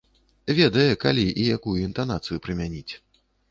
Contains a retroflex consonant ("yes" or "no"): no